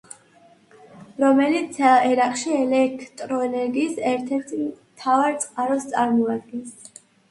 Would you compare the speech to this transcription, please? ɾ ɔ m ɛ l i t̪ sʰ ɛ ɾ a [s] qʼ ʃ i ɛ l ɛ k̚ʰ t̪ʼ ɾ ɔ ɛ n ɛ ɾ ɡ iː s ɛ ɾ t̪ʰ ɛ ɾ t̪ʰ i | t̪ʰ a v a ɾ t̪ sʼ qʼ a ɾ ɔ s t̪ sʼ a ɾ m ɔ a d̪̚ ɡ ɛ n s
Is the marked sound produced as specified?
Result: no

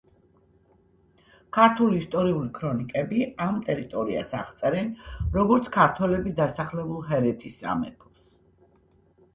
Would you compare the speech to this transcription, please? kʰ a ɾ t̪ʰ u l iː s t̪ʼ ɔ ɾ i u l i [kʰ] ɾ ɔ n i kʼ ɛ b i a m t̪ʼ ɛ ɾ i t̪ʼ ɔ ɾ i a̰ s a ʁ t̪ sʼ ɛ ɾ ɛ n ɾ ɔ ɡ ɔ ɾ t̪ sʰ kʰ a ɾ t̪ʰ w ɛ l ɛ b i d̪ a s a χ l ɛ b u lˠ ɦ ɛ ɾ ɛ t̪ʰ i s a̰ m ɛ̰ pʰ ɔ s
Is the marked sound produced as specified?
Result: yes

